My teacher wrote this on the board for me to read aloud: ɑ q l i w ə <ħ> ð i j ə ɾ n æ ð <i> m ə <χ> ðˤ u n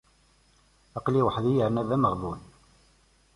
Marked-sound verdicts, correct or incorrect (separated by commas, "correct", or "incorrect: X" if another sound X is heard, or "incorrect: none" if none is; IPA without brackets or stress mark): correct, incorrect: æ, incorrect: ʁ